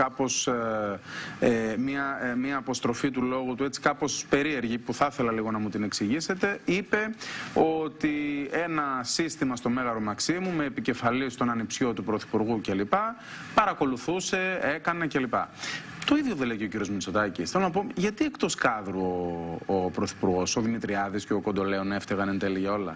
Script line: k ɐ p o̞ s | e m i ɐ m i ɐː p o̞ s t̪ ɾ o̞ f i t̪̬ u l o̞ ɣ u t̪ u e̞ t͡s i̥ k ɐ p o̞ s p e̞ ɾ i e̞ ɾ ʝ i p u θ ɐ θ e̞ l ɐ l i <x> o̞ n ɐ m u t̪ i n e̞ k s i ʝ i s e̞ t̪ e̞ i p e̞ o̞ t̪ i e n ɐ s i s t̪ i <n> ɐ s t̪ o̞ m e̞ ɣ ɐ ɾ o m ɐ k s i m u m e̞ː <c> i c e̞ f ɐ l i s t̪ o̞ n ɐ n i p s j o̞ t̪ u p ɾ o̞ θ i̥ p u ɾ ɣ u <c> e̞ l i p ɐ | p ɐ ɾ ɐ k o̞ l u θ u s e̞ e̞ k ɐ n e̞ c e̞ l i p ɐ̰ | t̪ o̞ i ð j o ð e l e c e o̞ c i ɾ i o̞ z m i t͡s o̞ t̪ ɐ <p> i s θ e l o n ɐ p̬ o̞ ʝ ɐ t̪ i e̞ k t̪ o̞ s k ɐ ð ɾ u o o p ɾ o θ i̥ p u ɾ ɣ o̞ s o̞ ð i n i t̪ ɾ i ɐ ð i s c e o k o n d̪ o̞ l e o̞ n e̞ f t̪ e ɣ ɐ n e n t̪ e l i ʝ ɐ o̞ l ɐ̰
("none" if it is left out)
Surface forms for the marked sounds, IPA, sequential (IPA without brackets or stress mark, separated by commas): ɣ, m, p, c, c